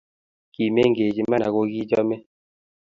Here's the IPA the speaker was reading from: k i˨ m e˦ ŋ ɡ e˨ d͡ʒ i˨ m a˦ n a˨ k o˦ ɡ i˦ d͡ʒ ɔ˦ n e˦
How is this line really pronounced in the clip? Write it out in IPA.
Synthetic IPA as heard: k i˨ m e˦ ŋ ɡ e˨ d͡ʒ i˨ m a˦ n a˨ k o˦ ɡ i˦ d͡ʒ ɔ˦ m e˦